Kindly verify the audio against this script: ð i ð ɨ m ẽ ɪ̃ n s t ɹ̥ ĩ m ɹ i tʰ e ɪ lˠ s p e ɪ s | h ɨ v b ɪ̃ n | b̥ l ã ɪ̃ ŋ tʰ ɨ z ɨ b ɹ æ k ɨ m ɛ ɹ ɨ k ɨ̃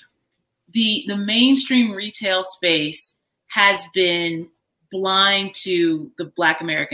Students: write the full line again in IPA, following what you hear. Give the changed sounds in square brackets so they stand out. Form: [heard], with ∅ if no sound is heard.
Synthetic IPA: ð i ð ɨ m ẽ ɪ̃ n s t ɹ̥ ĩ m ɹ i tʰ e ɪ lˠ s p e ɪ s | h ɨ [z] b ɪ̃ n | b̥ l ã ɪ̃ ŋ tʰ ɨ [ð] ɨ b [l] æ k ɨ m ɛ ɹ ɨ k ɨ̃